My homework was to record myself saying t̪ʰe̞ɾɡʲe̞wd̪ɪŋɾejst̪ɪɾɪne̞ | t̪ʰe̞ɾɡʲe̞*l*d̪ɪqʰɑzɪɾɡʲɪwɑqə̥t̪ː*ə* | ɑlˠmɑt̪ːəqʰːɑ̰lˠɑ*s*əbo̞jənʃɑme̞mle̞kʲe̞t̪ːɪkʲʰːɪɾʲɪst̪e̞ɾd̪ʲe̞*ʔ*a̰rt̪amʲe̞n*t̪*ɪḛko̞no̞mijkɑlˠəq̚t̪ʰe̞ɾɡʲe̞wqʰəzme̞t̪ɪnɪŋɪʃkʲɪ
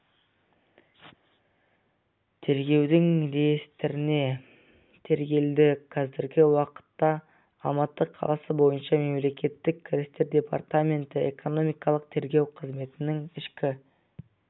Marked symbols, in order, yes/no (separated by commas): yes, no, yes, no, yes